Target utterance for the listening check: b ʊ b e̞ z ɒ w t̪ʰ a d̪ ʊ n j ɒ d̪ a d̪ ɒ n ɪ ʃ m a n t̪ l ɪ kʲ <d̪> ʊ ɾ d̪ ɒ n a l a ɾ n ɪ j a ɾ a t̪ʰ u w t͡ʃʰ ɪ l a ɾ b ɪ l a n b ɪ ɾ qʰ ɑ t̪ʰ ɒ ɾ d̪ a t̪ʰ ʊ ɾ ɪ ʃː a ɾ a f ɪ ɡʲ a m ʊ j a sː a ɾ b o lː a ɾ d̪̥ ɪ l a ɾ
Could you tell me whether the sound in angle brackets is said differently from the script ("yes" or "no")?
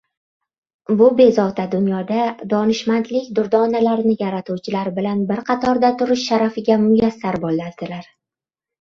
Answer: no